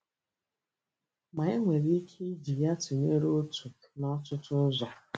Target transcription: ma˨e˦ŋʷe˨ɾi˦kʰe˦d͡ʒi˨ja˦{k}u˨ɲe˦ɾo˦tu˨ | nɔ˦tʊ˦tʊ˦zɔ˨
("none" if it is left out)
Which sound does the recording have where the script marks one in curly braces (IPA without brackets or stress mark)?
t